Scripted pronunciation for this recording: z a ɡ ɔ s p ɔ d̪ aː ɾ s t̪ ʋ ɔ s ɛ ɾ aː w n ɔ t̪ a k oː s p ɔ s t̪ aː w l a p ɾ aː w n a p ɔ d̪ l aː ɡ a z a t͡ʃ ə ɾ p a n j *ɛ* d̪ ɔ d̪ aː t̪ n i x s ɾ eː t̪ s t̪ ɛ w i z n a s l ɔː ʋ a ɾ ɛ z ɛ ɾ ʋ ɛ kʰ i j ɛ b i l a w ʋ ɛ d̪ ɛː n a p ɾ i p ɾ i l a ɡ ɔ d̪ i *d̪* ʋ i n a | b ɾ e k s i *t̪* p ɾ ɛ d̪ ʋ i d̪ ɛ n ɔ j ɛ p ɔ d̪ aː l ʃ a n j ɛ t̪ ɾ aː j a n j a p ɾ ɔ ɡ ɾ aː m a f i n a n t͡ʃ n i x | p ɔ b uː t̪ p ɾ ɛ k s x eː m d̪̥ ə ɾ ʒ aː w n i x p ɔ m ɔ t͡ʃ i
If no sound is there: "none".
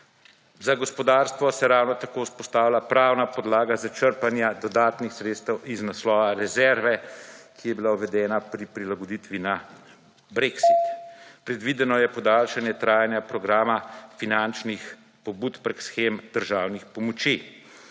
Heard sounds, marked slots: a, t̪, t̪

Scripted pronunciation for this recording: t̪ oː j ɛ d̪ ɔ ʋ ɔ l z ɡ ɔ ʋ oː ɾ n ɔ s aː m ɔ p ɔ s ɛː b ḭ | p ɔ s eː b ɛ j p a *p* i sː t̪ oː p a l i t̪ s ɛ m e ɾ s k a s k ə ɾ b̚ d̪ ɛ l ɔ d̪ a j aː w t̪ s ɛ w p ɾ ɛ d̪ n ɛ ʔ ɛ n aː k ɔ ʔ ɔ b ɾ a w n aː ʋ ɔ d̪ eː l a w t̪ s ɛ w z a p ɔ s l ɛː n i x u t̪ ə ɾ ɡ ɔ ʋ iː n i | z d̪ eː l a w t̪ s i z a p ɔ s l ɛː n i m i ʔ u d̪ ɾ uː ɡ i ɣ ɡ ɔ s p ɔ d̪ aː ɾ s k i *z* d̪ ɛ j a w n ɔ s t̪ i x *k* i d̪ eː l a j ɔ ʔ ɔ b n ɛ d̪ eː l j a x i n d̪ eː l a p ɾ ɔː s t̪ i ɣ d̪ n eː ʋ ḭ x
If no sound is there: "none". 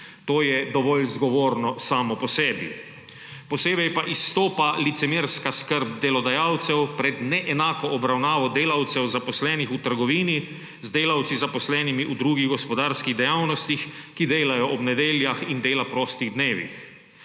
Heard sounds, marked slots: ʔ, ɣ, k

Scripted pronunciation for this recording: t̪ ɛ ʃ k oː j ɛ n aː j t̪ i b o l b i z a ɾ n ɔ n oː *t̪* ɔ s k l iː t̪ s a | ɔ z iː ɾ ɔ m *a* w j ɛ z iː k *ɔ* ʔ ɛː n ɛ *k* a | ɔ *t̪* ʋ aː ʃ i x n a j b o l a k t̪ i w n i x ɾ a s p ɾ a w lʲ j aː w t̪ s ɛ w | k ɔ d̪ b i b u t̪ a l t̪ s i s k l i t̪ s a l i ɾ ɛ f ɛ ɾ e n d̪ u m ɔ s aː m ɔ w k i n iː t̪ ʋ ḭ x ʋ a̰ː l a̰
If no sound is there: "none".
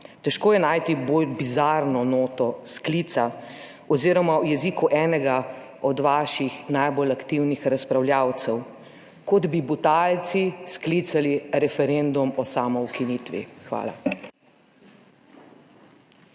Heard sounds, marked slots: t̪, a, u, ɡ, d̪

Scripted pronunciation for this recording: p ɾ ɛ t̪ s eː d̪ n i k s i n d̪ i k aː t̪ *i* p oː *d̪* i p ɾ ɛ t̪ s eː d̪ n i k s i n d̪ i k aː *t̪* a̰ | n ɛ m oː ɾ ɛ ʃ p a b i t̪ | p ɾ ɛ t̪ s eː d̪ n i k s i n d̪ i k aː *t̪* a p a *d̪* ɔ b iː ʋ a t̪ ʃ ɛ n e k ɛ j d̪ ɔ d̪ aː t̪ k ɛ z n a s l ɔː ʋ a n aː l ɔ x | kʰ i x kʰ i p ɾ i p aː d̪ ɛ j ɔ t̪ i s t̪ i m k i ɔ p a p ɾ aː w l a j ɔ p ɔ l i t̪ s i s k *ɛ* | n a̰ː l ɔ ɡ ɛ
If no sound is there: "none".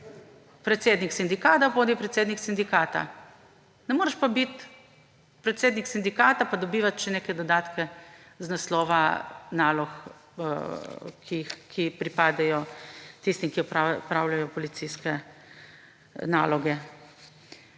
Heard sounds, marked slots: a, d̪, t̪, t̪, d̪, ɛ

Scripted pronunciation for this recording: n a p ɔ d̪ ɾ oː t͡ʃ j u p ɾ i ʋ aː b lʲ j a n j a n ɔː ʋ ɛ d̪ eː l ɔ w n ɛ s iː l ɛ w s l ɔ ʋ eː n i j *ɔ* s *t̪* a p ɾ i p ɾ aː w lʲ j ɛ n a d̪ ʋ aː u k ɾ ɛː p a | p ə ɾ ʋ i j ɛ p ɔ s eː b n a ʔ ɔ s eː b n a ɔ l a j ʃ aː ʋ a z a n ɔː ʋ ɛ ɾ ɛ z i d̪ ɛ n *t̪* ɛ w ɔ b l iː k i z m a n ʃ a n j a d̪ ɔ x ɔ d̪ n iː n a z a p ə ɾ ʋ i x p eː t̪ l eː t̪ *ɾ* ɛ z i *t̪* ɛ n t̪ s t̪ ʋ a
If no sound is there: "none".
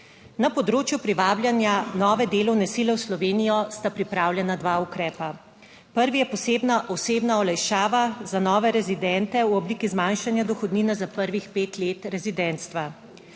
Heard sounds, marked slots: ɔ, t̪, t̪, ɾ, d̪

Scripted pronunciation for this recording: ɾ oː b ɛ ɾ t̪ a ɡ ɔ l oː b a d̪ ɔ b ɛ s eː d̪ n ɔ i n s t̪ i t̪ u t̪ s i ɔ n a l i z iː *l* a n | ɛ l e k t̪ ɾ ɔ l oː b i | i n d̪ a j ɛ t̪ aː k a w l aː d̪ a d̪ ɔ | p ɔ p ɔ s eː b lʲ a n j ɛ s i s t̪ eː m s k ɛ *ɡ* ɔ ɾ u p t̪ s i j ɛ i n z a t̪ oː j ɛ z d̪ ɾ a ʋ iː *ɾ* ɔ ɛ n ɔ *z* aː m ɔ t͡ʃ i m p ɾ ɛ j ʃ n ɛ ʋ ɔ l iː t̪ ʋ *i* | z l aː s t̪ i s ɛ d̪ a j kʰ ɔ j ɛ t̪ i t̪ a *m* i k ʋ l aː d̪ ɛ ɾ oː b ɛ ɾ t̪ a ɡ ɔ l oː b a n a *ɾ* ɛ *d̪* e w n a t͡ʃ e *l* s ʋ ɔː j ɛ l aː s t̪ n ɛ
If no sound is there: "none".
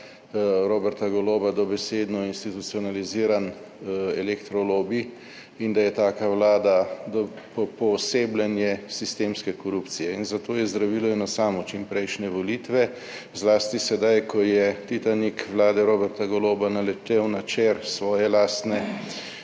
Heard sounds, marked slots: ɾ, k, l, s, ɛ, n, l, t̪, ɾ

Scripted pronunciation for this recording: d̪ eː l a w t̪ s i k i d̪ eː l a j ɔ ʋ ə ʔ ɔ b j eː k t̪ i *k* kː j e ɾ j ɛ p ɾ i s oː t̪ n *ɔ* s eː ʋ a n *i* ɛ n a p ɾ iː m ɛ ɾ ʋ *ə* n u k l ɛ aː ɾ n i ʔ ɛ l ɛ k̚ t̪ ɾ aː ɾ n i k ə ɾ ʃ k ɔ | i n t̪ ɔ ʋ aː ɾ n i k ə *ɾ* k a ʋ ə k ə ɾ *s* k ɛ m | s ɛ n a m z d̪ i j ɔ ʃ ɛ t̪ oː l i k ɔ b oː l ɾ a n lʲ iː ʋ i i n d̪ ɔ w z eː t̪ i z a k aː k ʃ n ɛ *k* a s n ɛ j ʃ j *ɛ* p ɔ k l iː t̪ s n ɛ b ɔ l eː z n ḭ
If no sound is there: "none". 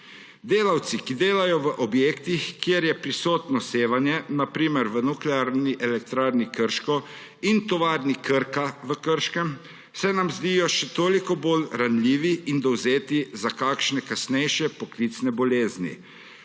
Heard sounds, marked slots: x, ɔ, j, ə, ɾ, ʃ, k, ɛ

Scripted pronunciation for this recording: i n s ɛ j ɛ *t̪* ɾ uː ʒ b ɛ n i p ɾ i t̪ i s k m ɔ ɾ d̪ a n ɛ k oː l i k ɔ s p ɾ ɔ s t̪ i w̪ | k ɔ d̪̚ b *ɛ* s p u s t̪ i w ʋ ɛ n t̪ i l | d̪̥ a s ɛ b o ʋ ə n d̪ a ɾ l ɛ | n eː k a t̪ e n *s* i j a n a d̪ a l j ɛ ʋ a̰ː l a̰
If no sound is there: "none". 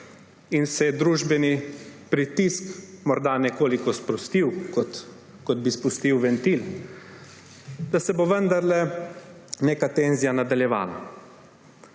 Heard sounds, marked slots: d̪, i, z

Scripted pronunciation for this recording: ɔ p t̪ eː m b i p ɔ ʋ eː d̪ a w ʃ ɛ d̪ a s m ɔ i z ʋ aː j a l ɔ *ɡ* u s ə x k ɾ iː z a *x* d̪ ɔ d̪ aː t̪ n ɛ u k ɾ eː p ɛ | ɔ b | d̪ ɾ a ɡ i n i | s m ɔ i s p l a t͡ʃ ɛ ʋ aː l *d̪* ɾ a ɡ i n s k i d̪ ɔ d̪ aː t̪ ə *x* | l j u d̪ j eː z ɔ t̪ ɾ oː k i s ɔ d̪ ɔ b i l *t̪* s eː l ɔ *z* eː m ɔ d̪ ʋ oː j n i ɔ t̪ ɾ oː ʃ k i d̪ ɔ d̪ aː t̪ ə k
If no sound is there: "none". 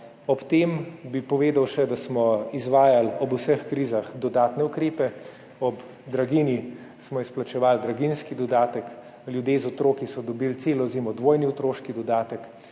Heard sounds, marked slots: b, x, d̪, k, t̪, z

